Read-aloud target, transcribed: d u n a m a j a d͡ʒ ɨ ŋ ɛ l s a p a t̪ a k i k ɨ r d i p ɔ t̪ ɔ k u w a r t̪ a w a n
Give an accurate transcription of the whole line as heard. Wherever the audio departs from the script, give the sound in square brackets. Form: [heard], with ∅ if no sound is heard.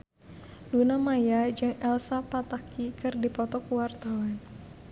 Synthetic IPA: d u n a m a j a d͡ʒ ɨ ŋ ɛ l s a p a t̪ a k i k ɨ r d i p ɔ t̪ ɔ k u w a r t̪ a w a n